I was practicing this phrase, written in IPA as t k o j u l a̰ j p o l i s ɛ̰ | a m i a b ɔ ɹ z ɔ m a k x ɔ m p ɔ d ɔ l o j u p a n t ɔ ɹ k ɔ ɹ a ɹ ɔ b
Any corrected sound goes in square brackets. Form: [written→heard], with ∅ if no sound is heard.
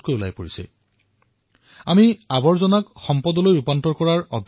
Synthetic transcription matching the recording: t k o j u l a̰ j p o [l→ɹ] i s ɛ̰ | a m i a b ɔ ɹ z ɔ [m→n] a k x ɔ m p ɔ d ɔ l o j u p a n t ɔ ɹ k ɔ ɹ a ɹ ɔ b